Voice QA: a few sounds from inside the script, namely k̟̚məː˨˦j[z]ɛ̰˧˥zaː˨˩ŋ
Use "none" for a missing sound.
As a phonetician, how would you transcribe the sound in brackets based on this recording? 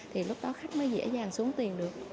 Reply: z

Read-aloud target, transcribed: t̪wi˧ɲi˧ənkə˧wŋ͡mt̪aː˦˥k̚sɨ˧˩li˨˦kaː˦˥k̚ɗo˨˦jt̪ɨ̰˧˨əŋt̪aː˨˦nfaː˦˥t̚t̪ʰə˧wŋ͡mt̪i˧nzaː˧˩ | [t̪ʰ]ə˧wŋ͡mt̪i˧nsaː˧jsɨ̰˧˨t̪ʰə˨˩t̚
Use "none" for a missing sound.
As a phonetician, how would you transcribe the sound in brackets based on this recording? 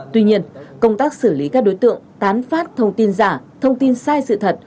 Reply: t̪ʰ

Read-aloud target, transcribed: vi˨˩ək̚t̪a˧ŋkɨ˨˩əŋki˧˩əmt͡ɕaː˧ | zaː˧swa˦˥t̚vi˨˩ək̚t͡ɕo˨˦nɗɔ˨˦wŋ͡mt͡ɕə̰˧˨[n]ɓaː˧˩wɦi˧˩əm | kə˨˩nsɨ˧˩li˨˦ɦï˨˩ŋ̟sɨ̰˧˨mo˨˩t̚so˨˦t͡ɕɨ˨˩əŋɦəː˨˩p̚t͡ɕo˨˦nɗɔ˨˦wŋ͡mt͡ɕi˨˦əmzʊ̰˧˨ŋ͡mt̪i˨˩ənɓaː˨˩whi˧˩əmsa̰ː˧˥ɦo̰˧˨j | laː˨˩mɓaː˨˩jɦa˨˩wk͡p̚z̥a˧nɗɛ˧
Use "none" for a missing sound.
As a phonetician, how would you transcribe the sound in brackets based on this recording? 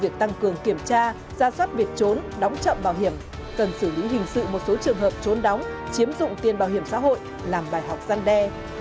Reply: m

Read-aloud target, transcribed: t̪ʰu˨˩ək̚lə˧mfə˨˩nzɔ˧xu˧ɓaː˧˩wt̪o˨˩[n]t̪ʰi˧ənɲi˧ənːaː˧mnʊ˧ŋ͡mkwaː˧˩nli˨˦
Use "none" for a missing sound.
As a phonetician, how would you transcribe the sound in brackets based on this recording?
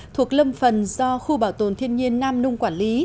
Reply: n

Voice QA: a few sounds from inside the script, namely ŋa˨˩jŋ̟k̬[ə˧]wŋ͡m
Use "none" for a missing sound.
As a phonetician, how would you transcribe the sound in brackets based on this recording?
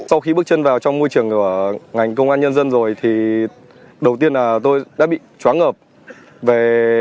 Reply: ə˧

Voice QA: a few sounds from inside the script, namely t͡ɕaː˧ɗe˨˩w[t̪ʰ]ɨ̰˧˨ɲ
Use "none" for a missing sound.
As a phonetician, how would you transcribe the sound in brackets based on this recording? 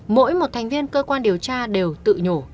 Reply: t̪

